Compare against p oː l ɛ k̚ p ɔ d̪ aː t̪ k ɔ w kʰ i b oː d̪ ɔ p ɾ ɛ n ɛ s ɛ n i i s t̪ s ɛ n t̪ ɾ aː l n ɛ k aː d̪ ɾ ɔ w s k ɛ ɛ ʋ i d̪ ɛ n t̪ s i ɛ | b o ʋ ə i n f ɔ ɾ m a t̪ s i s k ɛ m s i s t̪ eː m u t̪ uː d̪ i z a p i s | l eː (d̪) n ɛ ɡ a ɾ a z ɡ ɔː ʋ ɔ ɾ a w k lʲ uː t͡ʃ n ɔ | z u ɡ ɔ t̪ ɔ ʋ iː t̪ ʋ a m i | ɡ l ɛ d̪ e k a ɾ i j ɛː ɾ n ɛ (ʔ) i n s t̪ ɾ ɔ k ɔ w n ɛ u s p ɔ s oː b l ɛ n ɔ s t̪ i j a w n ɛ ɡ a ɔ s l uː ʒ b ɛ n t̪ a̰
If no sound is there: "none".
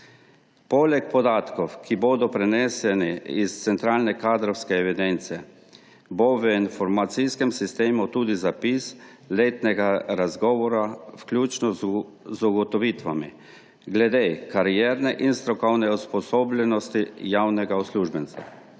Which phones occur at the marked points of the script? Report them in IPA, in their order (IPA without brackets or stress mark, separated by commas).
t̪, ʔ